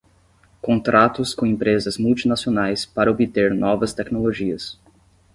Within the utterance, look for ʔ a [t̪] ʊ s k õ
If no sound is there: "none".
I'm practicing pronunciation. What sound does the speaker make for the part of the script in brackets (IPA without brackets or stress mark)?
t̪